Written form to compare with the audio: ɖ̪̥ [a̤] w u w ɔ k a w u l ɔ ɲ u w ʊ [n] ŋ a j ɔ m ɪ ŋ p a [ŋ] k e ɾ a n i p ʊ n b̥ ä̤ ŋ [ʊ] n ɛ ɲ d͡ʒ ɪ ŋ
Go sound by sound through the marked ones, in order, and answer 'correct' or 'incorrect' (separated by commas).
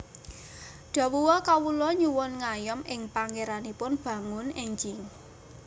correct, correct, correct, correct